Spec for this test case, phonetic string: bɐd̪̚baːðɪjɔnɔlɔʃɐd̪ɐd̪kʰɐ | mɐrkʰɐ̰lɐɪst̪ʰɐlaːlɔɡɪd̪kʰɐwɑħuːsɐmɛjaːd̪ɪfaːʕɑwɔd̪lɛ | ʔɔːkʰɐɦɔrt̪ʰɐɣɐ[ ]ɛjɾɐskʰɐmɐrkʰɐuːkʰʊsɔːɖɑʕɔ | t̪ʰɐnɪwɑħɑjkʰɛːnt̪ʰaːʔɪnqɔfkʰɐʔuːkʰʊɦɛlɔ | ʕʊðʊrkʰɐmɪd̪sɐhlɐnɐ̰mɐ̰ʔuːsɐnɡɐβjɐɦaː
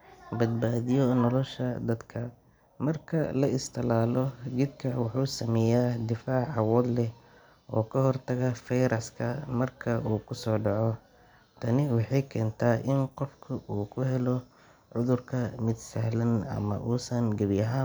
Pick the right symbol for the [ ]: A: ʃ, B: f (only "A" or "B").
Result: B